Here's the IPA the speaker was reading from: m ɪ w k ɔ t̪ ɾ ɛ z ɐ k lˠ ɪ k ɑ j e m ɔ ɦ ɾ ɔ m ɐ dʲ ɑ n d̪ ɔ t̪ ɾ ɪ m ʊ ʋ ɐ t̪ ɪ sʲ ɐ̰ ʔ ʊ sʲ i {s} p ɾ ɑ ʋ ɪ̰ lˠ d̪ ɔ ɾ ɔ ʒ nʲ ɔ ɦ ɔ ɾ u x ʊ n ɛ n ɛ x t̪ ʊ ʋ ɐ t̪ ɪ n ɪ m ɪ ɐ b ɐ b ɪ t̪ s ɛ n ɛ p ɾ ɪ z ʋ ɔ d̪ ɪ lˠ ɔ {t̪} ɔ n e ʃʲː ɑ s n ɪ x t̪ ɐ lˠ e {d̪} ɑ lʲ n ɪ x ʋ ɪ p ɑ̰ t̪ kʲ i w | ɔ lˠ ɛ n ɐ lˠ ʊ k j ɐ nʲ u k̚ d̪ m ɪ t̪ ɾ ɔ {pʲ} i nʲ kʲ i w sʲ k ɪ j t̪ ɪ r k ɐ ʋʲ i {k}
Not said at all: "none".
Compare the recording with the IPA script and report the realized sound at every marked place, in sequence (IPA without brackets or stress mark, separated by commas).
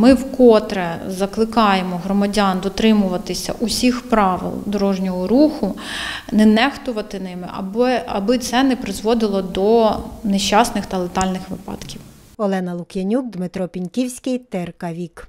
x, d̪, t̪, pʲ, k